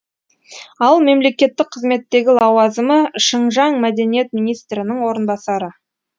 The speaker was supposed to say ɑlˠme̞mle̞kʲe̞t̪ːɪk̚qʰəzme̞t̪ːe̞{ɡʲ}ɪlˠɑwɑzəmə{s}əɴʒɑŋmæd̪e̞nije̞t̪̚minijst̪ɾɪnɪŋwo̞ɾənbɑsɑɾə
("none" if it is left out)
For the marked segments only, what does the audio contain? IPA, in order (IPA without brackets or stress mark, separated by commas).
ɡʲ, ʃ